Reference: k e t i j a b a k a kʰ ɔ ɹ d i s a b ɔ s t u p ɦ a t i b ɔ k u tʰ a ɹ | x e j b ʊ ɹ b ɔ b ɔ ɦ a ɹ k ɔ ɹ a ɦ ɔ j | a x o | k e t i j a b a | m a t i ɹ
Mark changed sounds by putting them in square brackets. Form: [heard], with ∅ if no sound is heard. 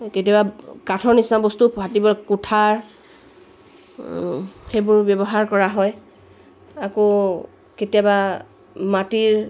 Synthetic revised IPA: k e t i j a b a k a [tʰ] ɔ ɹ [n] i s a b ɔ s t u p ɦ a t i b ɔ k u tʰ a ɹ | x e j b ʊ ɹ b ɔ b ɔ ɦ a ɹ k ɔ ɹ a ɦ ɔ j | a [k] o | k e t i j a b a | m a t i ɹ